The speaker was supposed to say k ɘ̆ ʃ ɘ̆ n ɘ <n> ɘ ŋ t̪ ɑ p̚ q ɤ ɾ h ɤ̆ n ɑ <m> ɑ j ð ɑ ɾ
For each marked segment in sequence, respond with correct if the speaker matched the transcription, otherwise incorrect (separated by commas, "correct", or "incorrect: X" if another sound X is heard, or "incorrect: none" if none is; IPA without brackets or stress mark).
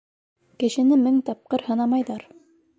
incorrect: m, correct